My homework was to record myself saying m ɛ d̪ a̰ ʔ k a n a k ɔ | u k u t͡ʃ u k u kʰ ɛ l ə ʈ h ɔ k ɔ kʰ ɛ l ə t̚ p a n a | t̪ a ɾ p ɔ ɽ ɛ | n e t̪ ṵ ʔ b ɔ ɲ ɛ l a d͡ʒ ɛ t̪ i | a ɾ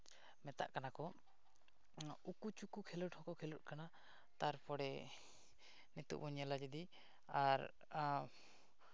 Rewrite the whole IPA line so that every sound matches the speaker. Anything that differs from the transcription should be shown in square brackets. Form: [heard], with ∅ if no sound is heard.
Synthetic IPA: m ɛ [t̪] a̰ ʔ k a n a k ɔ | u k u t͡ʃ u k u kʰ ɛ l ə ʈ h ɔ k ɔ kʰ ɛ l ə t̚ [k] a n a | t̪ a ɾ p ɔ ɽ ɛ | n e t̪ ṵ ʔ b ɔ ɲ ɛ l a d͡ʒ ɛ [d̪] i | a ɾ